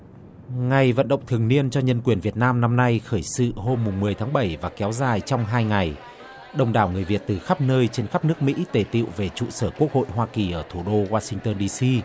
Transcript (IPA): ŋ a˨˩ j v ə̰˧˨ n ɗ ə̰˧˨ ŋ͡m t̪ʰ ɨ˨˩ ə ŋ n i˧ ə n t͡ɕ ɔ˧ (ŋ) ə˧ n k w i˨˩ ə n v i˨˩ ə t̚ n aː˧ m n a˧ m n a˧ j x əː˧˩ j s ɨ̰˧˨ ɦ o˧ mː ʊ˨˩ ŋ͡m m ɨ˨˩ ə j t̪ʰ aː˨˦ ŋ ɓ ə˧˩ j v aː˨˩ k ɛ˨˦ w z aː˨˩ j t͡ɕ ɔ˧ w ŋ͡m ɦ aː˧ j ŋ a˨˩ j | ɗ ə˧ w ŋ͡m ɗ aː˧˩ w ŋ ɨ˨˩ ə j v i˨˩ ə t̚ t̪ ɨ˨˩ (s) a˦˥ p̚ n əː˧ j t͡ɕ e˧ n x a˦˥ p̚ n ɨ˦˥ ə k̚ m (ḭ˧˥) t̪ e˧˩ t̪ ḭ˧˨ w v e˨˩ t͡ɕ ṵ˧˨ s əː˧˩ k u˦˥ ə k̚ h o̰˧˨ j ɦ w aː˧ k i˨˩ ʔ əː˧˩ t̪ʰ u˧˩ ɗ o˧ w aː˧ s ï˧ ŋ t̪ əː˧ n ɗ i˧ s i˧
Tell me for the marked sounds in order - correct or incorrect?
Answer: incorrect, incorrect, correct

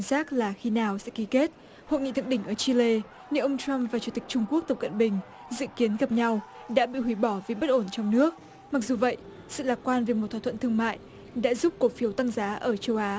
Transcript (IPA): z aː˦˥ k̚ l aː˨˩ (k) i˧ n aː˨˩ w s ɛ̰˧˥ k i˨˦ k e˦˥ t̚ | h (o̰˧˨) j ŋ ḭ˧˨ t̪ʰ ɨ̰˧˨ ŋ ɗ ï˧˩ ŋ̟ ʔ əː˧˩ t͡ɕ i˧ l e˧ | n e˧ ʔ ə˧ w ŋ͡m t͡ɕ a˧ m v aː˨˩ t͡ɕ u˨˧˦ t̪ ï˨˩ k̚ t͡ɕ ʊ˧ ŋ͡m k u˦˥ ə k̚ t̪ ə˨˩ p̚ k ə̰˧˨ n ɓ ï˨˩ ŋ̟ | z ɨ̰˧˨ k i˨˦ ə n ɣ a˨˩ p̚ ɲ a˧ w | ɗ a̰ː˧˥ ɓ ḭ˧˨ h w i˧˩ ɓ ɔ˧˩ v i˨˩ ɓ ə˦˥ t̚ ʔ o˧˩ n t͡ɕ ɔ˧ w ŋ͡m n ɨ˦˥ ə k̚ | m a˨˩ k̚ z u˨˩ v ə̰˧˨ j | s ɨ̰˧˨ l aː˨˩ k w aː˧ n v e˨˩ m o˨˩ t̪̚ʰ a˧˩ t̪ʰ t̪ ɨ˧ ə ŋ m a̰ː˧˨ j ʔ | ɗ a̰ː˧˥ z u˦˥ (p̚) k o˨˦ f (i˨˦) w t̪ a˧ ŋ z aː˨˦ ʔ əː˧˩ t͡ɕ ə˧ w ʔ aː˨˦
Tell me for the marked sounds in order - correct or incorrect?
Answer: incorrect, correct, correct, correct

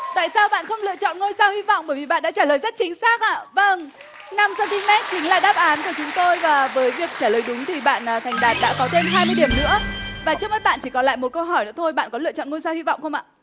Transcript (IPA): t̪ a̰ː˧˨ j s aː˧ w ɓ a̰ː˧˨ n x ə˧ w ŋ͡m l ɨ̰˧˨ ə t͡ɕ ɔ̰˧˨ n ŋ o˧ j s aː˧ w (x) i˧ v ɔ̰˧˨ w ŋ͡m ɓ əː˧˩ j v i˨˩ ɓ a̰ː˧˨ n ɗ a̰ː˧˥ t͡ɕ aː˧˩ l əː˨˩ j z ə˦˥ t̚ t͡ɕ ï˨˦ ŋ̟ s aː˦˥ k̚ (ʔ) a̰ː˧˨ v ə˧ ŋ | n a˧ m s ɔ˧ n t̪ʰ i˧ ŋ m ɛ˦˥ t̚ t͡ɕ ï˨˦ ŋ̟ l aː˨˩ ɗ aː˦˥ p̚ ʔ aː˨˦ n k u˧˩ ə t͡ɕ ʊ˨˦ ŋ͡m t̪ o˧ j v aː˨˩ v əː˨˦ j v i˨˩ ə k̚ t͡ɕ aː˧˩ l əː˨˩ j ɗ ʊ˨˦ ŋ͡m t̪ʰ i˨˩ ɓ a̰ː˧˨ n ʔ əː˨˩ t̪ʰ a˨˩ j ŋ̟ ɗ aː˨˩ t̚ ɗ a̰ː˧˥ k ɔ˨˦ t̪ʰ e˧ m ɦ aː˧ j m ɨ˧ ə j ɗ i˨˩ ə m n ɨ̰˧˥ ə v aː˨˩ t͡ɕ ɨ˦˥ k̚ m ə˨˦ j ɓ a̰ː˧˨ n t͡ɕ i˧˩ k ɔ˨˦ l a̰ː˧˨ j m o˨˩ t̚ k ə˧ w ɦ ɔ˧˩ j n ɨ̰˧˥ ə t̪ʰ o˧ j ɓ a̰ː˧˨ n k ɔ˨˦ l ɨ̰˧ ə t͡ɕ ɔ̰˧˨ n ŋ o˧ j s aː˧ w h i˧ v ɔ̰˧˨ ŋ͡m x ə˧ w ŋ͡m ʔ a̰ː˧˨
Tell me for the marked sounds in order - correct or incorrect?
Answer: incorrect, correct

